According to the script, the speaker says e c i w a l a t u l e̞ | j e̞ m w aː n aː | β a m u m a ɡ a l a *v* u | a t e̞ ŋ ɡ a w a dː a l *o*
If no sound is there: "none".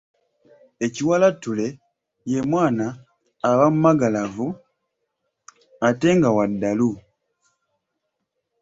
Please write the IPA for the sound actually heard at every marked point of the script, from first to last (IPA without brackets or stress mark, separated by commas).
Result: v, u